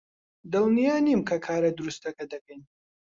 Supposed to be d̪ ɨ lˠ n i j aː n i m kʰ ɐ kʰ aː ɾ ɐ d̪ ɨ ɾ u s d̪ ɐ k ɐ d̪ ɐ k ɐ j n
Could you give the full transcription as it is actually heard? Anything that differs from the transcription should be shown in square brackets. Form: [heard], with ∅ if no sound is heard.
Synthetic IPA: d̪ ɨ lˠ n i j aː n i m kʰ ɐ kʰ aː ɾ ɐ d̪ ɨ ɾ u s [t̪] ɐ k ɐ d̪ ɐ k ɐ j n